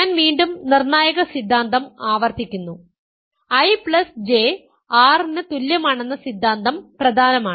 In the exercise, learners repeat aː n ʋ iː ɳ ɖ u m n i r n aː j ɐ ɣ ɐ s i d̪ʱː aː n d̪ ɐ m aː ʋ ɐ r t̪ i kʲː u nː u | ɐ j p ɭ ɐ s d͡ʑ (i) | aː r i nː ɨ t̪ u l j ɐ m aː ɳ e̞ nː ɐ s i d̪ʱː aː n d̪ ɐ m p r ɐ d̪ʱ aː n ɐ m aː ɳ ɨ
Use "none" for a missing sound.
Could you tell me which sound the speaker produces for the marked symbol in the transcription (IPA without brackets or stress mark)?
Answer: e